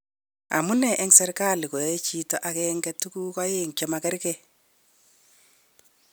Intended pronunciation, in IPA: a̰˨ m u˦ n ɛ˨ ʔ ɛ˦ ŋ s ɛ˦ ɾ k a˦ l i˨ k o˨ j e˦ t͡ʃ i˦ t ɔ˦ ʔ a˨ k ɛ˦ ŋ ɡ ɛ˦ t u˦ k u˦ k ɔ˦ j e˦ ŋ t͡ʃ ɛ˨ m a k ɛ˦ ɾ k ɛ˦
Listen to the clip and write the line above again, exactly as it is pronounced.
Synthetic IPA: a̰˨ m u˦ n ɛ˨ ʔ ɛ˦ ŋ s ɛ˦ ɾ k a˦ l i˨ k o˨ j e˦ t͡ʃ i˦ t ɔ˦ ʔ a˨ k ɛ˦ ŋ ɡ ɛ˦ t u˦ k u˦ k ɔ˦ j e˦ ŋ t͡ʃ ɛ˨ m a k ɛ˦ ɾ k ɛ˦